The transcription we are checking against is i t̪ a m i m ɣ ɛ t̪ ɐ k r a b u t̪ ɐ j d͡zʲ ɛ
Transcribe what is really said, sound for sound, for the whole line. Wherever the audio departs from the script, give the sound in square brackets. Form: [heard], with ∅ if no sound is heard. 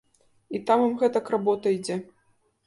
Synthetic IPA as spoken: i t̪ a m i m ɣ ɛ t̪ ɐ k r a b [ɔ] t̪ ɐ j d͡zʲ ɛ